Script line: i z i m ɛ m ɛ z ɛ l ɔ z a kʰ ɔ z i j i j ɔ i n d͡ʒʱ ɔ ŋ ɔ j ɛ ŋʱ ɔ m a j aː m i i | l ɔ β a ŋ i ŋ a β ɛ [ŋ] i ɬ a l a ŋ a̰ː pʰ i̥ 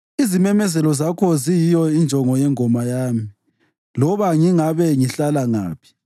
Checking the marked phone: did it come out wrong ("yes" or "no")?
no